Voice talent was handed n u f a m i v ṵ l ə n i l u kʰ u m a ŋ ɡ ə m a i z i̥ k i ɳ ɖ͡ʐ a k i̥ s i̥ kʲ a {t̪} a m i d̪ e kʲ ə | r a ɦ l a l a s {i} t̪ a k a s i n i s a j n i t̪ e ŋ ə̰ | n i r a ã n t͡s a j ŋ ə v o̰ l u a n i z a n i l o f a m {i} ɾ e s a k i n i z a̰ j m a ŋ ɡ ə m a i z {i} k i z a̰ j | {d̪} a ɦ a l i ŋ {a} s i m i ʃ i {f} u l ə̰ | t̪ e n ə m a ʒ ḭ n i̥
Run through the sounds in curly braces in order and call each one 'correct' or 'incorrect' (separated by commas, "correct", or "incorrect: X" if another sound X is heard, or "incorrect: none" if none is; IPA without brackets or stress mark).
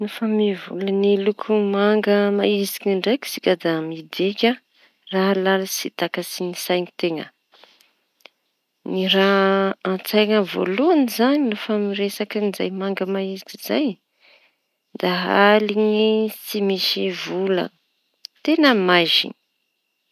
incorrect: d̪, correct, correct, correct, correct, incorrect: i, incorrect: v